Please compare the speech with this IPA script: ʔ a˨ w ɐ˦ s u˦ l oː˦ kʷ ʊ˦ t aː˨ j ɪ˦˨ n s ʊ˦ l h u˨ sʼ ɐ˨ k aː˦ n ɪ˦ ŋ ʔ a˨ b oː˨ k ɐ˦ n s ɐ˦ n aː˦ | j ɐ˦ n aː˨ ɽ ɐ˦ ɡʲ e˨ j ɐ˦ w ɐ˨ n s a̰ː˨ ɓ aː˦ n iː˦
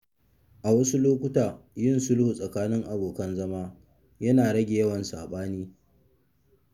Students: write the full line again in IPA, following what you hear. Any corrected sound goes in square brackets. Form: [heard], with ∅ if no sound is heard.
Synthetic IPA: ʔ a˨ w ɐ˦ s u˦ l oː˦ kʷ ʊ˦ t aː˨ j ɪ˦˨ n s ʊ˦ l h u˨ sʼ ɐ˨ k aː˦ n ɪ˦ ŋ ʔ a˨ b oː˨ k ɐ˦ n [z] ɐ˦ [m] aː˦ | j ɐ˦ n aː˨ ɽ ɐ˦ ɡʲ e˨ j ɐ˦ w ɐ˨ n s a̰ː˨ ɓ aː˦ n iː˦